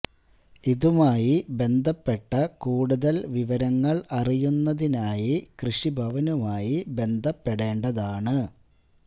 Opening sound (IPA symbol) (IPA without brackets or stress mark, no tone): i